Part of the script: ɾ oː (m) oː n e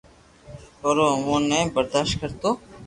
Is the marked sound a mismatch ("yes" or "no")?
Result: no